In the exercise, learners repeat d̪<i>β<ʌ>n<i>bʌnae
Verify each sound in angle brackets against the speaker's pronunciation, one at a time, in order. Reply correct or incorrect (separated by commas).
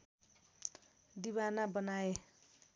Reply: correct, incorrect, incorrect